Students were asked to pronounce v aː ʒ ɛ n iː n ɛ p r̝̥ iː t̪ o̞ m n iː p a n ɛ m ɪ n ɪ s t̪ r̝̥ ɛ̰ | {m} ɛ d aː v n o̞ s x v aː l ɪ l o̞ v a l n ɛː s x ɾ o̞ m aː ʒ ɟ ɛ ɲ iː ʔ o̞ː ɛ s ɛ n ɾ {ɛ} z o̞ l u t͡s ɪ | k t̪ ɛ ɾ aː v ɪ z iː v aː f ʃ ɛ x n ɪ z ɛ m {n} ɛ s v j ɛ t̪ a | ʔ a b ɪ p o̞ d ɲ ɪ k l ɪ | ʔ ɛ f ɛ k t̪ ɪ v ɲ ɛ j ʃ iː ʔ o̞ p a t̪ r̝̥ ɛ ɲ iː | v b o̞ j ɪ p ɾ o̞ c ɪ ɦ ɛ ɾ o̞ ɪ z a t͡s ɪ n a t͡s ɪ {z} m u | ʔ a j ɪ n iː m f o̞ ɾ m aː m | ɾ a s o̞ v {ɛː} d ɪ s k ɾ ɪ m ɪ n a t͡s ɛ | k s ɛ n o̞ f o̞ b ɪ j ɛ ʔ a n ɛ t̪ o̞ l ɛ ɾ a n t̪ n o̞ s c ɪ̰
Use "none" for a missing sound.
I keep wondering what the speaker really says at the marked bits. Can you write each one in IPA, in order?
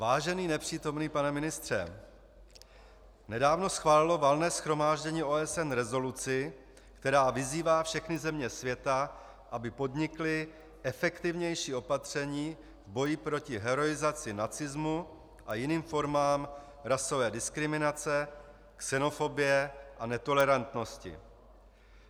n, ɛ, ɲ, z, ɛː

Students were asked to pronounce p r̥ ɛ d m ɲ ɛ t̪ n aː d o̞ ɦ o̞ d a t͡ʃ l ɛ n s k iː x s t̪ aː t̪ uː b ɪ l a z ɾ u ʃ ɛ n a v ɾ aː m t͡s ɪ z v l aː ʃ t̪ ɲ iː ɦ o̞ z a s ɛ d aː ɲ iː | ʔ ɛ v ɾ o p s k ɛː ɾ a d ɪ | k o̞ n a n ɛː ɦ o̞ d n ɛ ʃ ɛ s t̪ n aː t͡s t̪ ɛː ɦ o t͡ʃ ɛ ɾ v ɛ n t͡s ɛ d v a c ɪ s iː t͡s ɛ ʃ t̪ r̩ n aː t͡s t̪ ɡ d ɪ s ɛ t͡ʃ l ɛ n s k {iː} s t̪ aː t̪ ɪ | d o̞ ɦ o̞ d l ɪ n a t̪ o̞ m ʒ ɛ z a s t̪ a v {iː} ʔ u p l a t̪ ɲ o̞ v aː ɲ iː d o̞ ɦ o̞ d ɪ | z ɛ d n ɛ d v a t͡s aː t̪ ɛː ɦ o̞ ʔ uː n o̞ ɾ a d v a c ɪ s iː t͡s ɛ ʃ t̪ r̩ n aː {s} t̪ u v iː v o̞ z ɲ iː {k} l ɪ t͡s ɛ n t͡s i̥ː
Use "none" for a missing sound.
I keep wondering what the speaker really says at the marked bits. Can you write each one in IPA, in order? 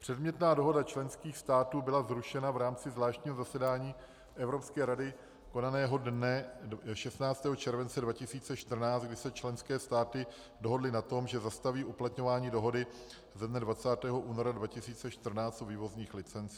ɛː, iː, t͡s, x

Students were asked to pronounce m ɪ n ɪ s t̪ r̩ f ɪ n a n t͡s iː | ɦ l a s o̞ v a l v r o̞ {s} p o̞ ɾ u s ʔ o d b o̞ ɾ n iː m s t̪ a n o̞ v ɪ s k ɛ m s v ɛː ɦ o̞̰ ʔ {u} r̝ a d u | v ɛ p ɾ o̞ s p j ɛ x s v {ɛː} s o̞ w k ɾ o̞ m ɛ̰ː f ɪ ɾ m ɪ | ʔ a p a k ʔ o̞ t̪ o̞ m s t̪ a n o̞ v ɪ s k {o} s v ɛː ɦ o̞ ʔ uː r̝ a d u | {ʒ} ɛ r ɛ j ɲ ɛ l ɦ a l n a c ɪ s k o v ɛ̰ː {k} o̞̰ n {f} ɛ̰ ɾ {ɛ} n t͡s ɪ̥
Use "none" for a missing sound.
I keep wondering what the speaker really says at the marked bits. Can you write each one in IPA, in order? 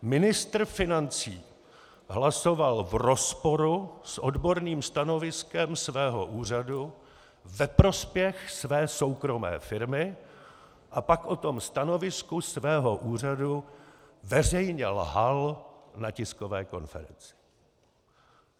s, uː, ɛː, u, v, k, f, ɛ

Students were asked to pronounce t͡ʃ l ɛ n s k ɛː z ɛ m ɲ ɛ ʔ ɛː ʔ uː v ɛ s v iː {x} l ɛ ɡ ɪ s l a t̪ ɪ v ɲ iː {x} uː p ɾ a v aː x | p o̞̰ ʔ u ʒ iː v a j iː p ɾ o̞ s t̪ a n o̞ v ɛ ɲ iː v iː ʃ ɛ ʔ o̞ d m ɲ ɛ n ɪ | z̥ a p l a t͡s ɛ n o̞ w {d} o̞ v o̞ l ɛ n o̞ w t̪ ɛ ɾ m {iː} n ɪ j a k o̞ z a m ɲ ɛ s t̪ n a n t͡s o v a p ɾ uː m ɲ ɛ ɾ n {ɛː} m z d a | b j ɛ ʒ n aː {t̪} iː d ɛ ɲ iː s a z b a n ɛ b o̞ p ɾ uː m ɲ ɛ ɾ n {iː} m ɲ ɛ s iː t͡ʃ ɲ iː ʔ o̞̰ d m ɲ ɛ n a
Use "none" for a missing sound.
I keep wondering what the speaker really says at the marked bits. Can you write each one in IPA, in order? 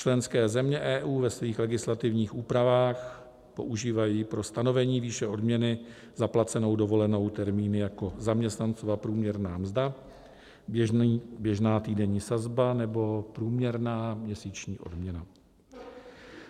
x, x, d, iː, aː, t̪, aː

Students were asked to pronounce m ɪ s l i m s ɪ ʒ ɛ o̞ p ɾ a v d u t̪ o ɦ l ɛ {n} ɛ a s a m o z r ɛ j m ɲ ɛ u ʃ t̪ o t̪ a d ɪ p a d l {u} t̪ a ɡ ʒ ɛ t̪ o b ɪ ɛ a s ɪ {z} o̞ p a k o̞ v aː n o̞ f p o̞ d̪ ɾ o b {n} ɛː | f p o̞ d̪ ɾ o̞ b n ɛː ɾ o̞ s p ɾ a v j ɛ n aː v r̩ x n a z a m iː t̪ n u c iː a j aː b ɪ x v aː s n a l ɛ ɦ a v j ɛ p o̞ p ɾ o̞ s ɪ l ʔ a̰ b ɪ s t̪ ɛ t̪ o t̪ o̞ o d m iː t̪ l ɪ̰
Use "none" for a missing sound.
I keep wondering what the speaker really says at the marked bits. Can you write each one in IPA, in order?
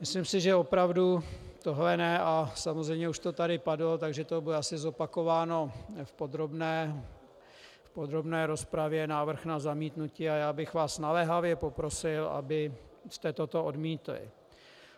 n, o, z, n

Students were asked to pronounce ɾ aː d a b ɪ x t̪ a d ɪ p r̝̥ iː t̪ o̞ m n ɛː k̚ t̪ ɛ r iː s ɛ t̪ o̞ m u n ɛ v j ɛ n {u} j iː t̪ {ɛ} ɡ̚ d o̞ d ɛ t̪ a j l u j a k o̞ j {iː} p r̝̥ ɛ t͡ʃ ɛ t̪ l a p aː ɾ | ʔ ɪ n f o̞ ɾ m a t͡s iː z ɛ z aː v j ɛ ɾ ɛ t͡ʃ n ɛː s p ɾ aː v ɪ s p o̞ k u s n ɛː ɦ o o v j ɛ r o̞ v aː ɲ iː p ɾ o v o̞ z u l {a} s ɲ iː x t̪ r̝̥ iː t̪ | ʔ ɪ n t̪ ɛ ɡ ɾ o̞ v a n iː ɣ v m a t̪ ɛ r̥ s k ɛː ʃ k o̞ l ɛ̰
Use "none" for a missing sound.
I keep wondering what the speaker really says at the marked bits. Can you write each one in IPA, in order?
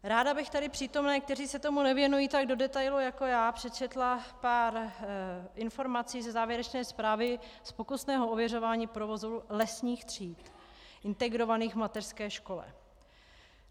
u, a, aː, ɛ

